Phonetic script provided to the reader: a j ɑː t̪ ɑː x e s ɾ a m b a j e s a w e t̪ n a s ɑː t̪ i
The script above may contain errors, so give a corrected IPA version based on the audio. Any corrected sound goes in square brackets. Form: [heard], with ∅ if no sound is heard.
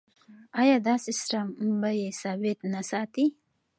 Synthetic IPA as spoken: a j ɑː [d̪] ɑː [s] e s ɾ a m b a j e s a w e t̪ n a s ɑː t̪ i